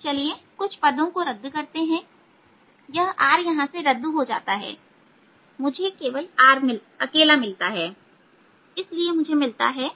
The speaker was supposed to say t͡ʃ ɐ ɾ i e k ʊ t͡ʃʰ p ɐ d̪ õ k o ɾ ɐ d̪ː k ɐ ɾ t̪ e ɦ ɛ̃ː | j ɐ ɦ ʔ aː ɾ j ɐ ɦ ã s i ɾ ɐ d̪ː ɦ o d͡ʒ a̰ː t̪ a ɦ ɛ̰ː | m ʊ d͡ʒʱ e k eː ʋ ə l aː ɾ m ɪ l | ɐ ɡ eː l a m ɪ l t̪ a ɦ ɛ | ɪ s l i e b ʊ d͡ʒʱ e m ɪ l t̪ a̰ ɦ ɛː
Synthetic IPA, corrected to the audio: t͡ʃ ɐ l i e k ʊ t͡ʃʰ p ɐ d̪ õ k o ɾ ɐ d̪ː k ɐ ɾ t̪ e ɦ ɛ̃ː | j ɐ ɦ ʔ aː ɾ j ɐ ɦ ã s e ɾ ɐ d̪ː ɦ o d͡ʒ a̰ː t̪ a ɦ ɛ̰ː | m ʊ d͡ʒʱ e k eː ʋ ə l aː ɾ m ɪ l | ɐ k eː l a m ɪ l t̪ a ɦ ɛː | ɪ s l i e m ʊ d͡ʒʱ e m ɪ l t̪ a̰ ɦ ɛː